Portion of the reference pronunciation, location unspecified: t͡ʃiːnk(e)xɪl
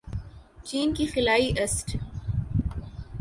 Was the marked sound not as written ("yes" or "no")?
yes